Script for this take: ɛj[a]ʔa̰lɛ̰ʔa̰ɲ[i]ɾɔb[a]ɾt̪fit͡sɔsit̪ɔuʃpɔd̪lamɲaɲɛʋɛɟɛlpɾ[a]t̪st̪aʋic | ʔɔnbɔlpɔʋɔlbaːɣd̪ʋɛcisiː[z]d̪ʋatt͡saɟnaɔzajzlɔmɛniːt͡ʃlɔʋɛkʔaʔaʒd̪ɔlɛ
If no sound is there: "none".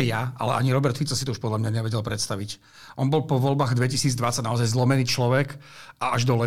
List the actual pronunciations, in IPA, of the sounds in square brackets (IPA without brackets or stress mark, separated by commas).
a, i, ɛ, ɛ, d͡z